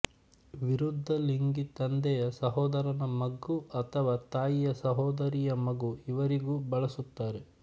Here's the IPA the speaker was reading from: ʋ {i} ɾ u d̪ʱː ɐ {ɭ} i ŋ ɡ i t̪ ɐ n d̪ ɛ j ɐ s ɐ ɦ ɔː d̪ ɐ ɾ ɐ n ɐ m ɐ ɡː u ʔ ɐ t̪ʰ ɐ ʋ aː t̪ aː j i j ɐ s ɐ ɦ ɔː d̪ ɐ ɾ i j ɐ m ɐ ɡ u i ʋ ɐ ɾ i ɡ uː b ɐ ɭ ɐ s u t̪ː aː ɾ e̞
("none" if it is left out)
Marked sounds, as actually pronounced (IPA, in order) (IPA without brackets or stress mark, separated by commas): i, l